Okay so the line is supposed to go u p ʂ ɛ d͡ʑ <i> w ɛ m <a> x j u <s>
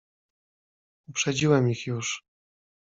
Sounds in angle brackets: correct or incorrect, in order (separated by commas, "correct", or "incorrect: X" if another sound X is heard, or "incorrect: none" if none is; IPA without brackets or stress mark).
correct, incorrect: i, incorrect: ʂ